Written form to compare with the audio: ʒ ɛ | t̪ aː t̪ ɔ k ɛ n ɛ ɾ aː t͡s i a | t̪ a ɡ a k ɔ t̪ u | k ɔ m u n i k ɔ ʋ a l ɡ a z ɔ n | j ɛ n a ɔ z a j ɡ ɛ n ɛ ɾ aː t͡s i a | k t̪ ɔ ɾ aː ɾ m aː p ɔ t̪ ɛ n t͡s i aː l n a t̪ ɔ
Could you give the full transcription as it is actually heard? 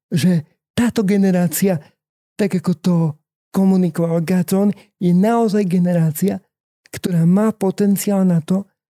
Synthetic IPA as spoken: ʒ ɛ | t̪ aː t̪ ɔ ɡ ɛ n ɛ ɾ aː t͡s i a | t̪ a ɡ a k ɔ t̪ ɔ | k ɔ m u n i k ɔ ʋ a l ɡ a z ɔ n | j ɛ n a ɔ z a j ɡ ɛ n ɛ ɾ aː t͡s i a | k t̪ ɔ ɾ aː m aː p ɔ t̪ ɛ n t͡s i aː l n a t̪ ɔ